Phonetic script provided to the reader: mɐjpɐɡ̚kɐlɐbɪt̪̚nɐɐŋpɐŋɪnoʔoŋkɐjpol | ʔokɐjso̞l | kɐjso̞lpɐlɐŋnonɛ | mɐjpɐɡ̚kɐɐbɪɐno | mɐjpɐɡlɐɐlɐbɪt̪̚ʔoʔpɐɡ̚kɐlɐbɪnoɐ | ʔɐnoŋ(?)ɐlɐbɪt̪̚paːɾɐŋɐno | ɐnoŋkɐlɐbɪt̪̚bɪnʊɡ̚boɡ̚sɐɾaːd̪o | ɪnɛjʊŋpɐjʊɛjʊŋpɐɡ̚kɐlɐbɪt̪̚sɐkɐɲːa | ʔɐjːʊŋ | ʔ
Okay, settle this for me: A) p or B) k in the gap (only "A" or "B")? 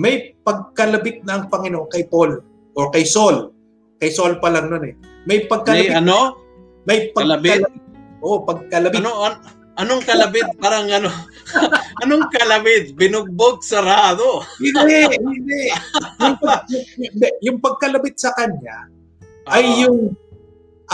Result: B